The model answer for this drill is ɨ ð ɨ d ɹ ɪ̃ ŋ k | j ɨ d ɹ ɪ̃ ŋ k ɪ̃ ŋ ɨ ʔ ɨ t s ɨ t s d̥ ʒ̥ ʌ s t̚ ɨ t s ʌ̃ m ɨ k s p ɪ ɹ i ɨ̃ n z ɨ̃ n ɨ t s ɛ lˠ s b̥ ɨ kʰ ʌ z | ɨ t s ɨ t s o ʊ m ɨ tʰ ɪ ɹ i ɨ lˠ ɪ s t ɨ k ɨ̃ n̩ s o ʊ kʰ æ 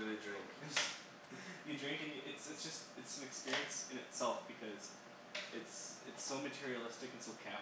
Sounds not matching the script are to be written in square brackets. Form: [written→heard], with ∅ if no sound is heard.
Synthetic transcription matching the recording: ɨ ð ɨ d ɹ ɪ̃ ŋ k | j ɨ d ɹ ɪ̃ ŋ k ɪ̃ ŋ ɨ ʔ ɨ t s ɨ t s d̥ ʒ̥ ʌ s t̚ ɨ t s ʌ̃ m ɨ k s p ɪ ɹ i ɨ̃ n [z→s] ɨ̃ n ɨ t s ɛ lˠ [s→f] b̥ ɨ kʰ ʌ z | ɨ t s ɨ t s o ʊ m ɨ tʰ ɪ ɹ i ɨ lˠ ɪ s t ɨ k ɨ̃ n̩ s o ʊ kʰ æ